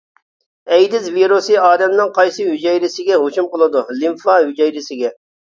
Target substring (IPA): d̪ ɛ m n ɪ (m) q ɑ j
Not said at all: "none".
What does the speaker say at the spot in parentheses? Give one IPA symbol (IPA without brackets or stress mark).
ŋ